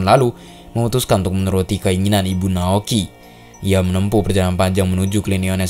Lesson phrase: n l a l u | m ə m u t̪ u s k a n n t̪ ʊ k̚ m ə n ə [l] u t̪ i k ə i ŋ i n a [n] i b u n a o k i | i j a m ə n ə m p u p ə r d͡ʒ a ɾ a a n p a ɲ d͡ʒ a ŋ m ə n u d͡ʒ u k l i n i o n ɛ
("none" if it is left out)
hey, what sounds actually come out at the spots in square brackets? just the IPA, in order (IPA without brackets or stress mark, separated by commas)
ɾ, n